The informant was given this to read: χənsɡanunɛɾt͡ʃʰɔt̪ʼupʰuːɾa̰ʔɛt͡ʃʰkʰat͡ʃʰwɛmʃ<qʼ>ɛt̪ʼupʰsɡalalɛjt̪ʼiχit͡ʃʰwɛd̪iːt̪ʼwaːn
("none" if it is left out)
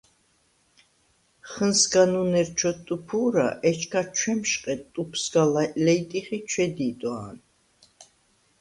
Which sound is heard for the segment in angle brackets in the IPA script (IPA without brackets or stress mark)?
qʼ